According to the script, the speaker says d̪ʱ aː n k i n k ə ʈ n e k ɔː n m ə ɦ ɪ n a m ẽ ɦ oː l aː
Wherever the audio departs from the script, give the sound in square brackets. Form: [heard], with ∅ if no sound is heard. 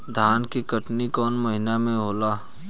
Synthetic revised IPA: d̪ʱ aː n k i [∅] k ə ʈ n [i] k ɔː n m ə ɦ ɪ n a m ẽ ɦ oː l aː